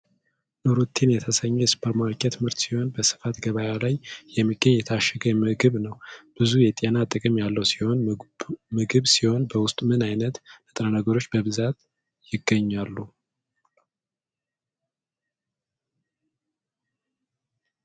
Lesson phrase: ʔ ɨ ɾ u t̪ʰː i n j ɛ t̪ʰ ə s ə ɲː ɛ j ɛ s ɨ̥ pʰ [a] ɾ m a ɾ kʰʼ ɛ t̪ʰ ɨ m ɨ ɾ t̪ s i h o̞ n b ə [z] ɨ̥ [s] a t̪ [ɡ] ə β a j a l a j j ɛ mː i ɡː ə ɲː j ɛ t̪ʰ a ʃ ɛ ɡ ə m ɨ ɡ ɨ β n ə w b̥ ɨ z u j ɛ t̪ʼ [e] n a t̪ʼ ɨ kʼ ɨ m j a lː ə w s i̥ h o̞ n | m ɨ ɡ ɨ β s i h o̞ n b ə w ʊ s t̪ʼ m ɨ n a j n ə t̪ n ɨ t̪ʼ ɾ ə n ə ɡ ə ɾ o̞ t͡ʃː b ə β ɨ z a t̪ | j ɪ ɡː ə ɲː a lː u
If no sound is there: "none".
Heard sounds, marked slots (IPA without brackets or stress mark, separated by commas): ə, s, f, ɡ, e